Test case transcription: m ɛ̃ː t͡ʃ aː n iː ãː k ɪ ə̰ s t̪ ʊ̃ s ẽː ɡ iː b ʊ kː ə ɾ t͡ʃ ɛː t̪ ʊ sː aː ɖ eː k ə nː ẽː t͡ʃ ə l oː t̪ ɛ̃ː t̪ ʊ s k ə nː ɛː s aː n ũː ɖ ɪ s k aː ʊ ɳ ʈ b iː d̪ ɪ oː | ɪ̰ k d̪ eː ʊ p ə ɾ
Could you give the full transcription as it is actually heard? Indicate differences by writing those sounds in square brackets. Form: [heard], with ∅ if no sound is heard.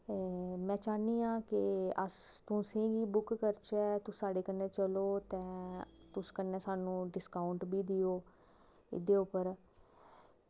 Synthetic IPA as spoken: m ɛ̃ː t͡ʃ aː n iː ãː k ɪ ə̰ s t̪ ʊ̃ s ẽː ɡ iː b ʊ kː ə ɾ t͡ʃ ɛː t̪ ʊ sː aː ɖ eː k ə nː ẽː t͡ʃ ə l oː t̪ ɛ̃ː t̪ ʊ s k ə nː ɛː s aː n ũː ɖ ɪ s k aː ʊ ɳ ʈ b iː d̪ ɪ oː | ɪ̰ [∅] d̪ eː ʊ p ə ɾ